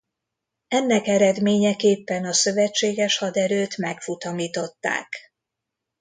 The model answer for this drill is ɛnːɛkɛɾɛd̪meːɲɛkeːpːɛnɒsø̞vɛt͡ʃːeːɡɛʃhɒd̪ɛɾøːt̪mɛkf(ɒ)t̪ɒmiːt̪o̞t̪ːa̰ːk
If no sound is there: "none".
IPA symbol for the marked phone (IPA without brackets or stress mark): u